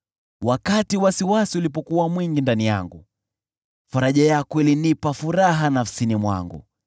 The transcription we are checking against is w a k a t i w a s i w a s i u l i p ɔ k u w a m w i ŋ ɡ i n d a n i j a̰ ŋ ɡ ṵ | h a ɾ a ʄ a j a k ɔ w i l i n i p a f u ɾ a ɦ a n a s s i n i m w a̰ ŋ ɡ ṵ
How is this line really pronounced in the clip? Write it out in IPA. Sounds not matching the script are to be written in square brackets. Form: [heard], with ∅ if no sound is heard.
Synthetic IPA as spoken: w a k a t i w a s i w a s i u l i p ɔ k u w a m w i ŋ ɡ i n d a n i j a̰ ŋ ɡ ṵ | [f] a ɾ a ʄ a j a k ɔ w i l i n i p a f u ɾ a ɦ a n a [f] s i n i m w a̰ ŋ ɡ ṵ